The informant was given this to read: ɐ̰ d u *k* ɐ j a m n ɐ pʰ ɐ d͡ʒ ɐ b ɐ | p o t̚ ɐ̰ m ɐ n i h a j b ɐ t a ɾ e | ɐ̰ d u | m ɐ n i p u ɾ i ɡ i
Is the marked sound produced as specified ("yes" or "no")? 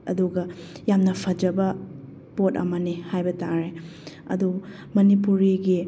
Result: no